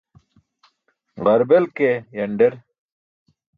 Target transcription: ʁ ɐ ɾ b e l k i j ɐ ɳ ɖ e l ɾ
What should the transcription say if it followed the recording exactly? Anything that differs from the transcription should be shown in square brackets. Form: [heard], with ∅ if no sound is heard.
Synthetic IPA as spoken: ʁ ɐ ɾ b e l k [e] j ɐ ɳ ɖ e [∅] ɾ